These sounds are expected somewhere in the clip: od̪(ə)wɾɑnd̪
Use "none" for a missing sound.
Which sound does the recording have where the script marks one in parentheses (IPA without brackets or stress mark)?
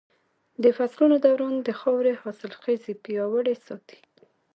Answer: a